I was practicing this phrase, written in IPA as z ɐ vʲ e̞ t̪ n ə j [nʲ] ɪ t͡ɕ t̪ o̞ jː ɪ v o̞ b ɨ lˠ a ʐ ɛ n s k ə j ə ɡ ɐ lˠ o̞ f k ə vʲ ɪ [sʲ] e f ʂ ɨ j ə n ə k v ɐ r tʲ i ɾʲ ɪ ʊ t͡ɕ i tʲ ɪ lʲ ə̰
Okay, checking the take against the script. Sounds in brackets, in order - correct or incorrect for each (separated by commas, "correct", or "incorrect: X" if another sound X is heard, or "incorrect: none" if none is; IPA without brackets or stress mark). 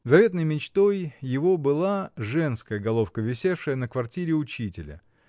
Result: incorrect: mʲ, correct